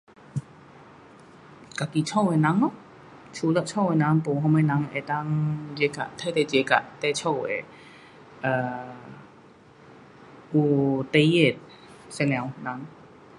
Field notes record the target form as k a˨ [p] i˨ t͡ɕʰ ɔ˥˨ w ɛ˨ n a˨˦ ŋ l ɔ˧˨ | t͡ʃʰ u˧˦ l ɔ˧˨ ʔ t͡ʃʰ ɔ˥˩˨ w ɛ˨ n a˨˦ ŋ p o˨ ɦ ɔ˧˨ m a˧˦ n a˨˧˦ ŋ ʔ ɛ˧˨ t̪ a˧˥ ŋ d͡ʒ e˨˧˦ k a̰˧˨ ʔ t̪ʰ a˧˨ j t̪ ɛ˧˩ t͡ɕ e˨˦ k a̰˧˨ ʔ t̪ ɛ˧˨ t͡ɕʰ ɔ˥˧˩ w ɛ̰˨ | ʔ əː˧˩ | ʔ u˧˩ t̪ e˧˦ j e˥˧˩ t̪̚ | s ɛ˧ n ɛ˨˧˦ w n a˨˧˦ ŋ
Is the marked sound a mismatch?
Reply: yes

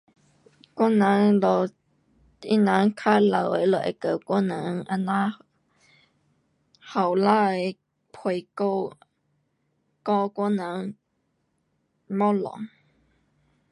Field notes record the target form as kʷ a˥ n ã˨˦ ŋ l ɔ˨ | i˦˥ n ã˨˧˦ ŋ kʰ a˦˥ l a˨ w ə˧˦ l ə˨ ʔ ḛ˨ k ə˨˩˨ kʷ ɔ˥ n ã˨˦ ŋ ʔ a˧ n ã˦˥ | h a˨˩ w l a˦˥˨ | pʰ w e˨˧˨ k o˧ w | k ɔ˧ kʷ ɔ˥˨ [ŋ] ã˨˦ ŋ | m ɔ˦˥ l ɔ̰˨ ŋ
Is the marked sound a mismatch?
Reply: yes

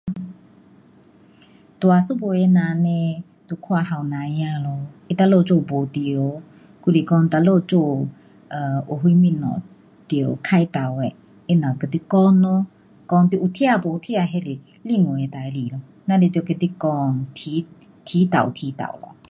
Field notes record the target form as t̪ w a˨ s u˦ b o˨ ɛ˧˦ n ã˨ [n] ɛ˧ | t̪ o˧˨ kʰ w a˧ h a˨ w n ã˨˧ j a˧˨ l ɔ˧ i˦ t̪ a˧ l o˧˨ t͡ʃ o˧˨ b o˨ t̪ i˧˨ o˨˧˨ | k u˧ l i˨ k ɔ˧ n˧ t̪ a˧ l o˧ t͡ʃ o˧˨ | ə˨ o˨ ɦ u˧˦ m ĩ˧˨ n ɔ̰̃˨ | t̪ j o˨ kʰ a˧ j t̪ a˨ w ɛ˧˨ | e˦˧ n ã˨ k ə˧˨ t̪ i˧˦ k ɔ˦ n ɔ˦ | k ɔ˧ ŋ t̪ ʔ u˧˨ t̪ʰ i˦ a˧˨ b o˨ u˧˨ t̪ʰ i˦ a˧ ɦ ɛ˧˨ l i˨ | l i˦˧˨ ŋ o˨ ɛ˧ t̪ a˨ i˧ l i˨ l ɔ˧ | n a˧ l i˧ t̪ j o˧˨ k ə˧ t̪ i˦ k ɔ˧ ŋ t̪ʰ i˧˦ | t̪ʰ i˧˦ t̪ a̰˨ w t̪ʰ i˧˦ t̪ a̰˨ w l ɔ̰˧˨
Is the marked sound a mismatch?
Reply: no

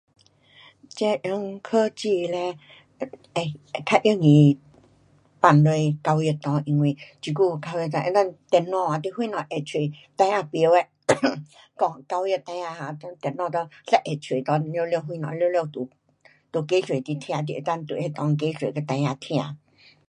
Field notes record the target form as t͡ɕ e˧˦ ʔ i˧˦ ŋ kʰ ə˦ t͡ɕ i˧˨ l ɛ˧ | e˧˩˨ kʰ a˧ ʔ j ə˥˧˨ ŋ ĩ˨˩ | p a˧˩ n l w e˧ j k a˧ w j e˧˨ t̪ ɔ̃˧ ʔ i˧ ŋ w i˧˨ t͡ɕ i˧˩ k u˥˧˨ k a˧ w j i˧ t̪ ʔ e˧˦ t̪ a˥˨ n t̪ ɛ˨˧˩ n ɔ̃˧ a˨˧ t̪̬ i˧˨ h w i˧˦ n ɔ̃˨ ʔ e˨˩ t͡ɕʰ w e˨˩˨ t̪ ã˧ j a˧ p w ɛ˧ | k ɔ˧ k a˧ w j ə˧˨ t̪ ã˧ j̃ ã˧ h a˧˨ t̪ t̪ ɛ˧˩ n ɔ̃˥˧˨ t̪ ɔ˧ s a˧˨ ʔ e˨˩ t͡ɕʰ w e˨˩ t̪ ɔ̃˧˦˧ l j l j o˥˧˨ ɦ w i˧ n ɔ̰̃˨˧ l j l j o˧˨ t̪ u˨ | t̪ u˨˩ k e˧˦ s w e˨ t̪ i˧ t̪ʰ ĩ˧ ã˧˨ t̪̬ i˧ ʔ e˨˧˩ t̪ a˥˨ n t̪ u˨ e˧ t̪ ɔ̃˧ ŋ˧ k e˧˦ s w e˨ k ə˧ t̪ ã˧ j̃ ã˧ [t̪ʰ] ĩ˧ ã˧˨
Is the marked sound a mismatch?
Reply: no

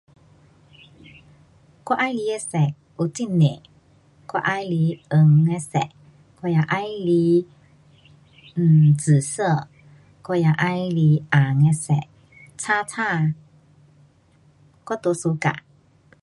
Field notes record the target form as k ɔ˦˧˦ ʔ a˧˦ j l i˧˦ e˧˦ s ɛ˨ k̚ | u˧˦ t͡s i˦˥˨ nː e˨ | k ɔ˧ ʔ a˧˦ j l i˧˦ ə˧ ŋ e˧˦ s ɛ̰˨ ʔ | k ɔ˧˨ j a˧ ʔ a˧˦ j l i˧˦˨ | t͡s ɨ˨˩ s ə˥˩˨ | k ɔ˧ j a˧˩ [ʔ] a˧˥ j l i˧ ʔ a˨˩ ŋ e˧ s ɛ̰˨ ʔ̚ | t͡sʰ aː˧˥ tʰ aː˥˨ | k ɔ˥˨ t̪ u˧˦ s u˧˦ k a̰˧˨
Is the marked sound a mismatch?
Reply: no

